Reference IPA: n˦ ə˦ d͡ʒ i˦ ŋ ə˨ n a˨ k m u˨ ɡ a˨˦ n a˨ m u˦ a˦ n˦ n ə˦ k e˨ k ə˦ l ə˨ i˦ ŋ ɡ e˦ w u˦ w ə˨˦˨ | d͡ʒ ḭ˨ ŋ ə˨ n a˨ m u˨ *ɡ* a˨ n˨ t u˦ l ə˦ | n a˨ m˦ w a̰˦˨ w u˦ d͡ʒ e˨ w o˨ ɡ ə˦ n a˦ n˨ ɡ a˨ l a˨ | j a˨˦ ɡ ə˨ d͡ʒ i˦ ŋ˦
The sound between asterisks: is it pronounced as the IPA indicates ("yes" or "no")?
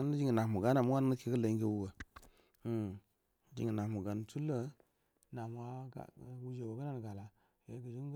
yes